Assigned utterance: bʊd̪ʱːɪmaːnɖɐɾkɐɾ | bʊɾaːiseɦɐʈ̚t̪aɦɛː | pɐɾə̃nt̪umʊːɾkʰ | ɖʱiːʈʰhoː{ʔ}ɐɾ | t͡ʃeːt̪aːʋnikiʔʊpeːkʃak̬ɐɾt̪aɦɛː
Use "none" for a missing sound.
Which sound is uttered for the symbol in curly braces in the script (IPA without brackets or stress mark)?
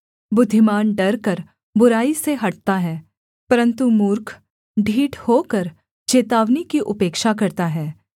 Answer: k